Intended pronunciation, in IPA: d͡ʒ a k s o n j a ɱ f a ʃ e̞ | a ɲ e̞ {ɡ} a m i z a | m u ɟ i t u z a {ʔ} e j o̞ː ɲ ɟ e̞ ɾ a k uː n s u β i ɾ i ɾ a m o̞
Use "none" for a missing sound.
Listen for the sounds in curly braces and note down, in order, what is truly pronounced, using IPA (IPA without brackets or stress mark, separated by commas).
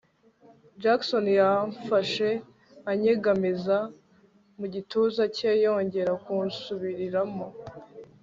ɡ, c